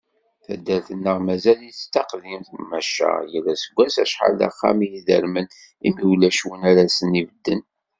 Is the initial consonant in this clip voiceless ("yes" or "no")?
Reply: yes